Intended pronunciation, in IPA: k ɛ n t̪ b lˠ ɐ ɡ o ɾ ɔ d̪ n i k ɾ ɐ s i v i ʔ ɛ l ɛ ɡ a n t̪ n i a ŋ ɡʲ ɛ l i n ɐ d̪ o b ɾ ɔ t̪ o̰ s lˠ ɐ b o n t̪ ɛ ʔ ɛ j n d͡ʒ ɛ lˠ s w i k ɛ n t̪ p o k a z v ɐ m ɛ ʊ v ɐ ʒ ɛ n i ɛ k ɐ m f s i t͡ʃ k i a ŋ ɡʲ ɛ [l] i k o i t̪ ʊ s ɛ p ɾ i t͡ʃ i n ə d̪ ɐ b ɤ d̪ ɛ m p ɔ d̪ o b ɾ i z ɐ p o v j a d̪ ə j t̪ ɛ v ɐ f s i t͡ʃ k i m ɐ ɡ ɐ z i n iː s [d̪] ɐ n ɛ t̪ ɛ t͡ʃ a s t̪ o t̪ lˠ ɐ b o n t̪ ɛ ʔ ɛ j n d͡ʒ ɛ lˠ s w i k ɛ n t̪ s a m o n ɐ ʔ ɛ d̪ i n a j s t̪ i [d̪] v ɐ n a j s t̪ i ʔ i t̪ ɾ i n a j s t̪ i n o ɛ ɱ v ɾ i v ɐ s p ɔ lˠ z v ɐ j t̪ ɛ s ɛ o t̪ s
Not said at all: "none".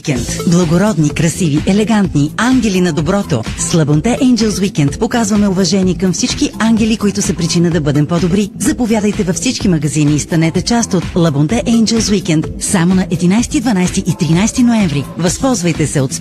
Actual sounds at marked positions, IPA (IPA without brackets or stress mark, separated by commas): l, t̪, d̪